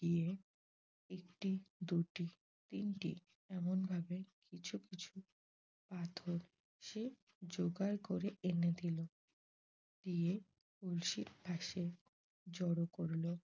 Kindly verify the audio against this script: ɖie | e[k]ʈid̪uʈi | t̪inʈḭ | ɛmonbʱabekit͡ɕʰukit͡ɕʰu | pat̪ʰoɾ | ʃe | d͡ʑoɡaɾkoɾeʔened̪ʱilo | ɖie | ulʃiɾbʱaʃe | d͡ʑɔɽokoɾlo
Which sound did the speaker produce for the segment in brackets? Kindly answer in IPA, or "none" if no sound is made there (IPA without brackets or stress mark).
k